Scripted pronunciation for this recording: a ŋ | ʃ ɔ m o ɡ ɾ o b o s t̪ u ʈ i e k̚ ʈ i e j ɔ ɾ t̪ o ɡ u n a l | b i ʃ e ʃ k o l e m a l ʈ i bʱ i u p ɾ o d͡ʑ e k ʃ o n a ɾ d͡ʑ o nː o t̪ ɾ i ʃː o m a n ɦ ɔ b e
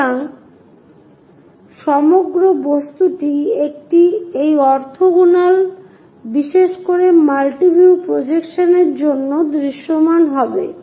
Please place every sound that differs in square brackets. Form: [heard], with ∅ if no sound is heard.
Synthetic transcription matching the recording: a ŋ | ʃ ɔ m o ɡ ɾ o b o s t̪ u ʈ i e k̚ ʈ i e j ɔ ɾ [t̪ʰ] o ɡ u n a l | b i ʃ e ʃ k o [ɾ] e m a l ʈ i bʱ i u p ɾ o d͡ʑ e k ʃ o n [e] ɾ d͡ʑ o nː o [d̪] ɾ i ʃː o m a n ɦ ɔ b e